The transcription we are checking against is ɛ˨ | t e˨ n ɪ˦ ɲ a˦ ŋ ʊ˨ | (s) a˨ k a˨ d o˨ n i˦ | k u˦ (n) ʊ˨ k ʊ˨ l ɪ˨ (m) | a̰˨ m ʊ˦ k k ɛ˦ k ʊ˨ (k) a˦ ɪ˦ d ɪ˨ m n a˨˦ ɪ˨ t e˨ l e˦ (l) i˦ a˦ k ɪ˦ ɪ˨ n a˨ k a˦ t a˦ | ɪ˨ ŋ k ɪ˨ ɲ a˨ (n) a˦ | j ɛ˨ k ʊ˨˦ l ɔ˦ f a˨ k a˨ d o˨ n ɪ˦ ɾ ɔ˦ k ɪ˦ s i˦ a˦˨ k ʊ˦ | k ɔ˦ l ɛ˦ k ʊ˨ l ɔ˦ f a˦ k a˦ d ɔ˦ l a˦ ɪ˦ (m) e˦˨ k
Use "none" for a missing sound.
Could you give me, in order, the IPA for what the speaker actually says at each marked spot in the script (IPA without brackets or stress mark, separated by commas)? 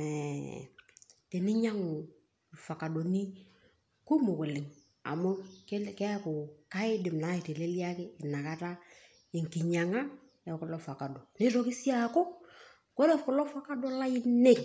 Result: f, m, ŋ, k, l, ŋ, n